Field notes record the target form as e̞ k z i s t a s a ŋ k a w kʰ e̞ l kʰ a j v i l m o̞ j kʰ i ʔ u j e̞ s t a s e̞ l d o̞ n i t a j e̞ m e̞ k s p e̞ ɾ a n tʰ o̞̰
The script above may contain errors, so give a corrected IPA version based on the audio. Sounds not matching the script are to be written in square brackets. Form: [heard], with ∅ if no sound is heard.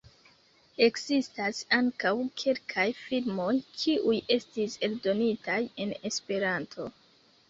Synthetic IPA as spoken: e̞ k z i s t a s a ŋ k a w kʰ e̞ l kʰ a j [f] i l m o̞ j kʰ i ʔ u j e̞ s t [i] s e̞ l d o̞ n i t a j e̞ [n] e̞ [∅] s p e̞ ɾ a n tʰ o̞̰